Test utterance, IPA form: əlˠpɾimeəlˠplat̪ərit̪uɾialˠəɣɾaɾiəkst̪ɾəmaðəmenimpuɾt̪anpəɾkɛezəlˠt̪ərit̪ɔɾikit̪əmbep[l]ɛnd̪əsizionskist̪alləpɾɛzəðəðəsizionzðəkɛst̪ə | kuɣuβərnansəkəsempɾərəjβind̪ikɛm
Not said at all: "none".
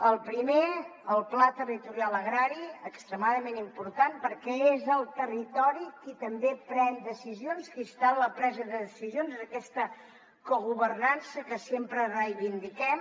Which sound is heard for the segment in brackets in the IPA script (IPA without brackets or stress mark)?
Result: ɾ